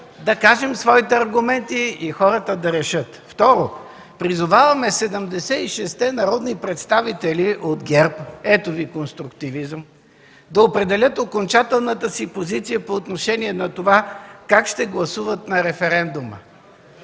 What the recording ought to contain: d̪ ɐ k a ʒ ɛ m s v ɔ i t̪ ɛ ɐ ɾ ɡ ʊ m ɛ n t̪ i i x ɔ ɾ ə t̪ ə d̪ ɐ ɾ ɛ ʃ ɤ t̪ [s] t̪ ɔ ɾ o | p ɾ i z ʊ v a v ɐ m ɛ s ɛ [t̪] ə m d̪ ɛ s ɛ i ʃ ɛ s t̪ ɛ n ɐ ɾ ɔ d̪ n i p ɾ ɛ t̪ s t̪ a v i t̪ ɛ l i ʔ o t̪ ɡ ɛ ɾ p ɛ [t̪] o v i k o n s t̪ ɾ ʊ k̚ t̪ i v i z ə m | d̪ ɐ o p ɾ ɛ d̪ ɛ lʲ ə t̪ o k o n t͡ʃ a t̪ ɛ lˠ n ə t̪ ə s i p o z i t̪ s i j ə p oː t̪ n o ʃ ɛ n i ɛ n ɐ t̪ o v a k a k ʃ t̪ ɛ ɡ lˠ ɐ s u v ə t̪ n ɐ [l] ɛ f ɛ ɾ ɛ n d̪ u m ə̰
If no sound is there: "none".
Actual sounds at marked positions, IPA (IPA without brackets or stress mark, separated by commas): f, d̪, t̪, ɾ